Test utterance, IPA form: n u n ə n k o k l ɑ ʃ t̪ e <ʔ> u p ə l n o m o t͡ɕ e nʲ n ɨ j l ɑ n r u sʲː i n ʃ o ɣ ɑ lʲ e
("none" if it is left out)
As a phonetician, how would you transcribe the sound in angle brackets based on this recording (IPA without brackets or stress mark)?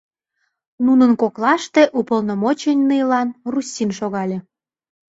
ʔ